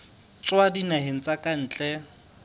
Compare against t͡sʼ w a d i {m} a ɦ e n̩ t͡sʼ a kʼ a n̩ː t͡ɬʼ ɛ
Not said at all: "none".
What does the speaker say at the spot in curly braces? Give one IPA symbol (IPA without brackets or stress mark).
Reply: n